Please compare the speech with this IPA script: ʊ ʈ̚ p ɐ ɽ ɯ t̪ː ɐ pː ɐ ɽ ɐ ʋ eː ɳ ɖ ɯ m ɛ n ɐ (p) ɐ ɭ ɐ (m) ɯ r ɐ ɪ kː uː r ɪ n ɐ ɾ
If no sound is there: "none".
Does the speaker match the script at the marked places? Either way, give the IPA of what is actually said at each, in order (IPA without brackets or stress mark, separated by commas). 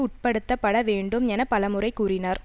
p, m